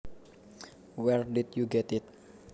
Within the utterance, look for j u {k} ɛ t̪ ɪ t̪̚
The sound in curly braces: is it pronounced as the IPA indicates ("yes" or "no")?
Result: no